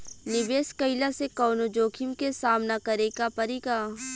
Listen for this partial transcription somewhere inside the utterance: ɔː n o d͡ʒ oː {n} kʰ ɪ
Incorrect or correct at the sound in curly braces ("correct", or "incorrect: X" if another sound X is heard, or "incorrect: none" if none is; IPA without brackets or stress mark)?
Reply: incorrect: none